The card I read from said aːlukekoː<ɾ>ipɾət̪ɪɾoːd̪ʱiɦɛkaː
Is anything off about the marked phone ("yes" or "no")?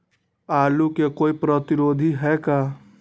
yes